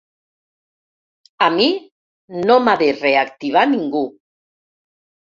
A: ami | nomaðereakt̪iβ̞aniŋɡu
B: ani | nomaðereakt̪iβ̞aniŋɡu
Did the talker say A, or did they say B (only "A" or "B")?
A